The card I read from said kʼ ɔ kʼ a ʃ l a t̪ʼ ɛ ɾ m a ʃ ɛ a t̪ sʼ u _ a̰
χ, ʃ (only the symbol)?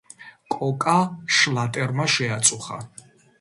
χ